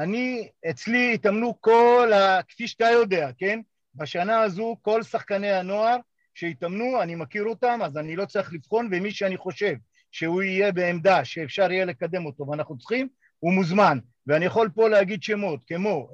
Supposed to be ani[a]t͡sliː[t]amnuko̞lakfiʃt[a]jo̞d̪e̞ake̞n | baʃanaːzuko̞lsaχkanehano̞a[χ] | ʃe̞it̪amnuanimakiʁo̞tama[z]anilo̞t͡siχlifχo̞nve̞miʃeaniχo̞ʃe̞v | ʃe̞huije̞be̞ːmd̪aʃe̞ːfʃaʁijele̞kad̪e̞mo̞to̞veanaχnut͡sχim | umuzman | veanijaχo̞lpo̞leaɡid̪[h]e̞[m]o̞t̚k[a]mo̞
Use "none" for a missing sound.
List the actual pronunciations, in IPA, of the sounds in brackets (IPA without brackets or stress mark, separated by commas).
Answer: e, t, a, ʁ, z, ʃ, m, e